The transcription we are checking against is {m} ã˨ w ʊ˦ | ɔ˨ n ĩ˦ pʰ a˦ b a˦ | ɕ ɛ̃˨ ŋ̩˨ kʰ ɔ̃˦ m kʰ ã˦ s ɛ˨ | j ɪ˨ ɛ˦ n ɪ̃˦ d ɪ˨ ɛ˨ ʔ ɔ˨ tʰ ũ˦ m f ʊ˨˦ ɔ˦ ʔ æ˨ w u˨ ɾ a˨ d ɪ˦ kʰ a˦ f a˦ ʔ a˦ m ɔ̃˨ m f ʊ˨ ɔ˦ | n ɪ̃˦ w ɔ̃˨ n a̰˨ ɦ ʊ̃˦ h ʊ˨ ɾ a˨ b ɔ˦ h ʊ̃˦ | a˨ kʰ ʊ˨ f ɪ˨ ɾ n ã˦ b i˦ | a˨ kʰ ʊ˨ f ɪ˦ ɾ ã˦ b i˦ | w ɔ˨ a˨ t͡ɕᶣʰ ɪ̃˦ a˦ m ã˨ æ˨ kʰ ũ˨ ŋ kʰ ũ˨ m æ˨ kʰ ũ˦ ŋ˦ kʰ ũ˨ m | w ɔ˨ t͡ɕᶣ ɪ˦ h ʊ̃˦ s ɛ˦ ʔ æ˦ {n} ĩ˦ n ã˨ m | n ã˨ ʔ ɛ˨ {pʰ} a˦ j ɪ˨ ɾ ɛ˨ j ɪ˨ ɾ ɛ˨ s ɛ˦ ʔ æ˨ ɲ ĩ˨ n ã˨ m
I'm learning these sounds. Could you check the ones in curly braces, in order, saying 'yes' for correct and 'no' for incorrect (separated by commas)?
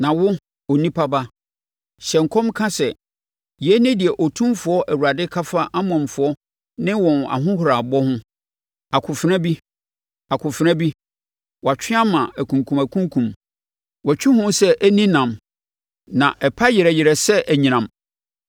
no, yes, yes